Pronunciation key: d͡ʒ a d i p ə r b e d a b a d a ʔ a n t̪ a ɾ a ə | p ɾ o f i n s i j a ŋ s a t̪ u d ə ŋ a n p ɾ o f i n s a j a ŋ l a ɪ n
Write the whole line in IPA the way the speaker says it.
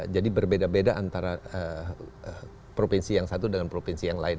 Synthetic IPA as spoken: d͡ʒ a d i b ə r b e d a b e d a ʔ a n t̪ a ɾ a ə | p ɾ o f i n s i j a ŋ s a t̪ u d ə ŋ a n p ɾ o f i n s i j a ŋ l a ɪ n